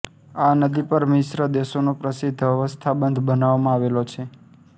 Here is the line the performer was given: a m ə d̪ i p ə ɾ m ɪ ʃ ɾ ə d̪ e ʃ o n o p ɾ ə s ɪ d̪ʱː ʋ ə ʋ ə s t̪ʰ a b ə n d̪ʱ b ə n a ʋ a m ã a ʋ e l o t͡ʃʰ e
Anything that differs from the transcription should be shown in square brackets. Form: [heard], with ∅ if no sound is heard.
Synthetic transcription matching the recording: a [n] ə d̪ i p ə ɾ m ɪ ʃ ɾ ə d̪ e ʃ o n o p ɾ ə s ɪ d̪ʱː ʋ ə ʋ ə s t̪ʰ a b ə n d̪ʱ b ə n a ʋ a m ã a ʋ e l o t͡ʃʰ e